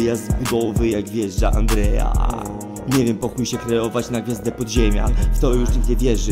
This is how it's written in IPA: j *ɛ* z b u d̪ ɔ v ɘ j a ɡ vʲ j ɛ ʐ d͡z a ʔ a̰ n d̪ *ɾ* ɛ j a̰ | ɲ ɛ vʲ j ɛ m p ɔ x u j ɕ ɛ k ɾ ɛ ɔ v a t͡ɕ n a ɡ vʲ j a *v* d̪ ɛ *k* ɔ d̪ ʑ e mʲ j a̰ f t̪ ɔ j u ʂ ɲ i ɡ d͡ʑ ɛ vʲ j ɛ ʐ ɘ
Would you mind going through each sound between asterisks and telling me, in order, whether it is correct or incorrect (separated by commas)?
incorrect, correct, incorrect, incorrect